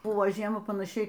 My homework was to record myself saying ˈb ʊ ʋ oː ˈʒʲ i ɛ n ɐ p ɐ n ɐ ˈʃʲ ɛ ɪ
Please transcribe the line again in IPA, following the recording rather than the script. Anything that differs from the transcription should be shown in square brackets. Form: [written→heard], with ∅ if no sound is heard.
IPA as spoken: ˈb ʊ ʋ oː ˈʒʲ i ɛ [n→m] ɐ p ɐ n ɐ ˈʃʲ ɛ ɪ